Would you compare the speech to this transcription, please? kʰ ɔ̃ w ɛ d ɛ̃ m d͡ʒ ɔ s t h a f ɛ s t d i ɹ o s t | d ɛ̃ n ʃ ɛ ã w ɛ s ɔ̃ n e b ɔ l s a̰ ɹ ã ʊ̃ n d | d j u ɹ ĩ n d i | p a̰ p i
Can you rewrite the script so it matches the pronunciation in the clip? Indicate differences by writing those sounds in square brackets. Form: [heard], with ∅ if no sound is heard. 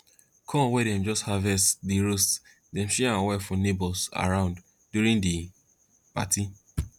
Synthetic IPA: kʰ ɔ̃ w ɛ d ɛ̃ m d͡ʒ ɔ s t h a [v] ɛ s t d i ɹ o s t | d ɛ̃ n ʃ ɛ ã w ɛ [f] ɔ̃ n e b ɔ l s a̰ ɹ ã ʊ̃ n d | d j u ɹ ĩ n d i | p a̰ [t] i